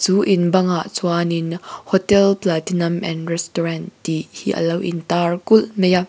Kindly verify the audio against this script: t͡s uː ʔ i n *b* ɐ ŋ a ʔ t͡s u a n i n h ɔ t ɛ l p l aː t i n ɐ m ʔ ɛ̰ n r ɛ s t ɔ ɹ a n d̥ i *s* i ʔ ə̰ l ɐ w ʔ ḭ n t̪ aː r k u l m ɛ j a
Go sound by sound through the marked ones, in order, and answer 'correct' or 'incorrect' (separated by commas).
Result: correct, incorrect